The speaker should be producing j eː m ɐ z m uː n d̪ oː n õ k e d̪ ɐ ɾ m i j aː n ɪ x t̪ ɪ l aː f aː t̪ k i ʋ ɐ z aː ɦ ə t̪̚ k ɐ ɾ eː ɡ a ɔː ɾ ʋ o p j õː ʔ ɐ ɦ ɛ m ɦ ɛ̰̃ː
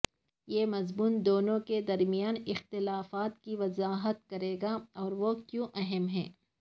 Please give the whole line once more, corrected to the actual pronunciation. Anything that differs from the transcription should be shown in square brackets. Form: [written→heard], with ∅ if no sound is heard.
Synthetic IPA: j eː m ɐ z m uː n d̪ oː n õ k e d̪ ɐ ɾ m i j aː n ɪ x t̪ ɪ l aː f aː t̪ k i ʋ ɐ z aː ɦ ə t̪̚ k ɐ ɾ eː ɡ a ɔː ɾ ʋ o [p→k] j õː ʔ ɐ ɦ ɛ m ɦ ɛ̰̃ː